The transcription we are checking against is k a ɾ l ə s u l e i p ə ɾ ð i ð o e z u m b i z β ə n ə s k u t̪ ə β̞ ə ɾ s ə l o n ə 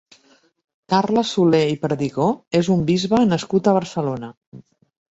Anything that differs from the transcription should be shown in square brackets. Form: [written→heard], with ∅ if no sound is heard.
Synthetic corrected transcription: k a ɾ l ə s u l e i p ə ɾ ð i [ð→ɣ] o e z u m b i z β ə n ə s k u t̪ ə β̞ ə ɾ s ə l o n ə